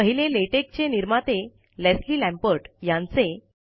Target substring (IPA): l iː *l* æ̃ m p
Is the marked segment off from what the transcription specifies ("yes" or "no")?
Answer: no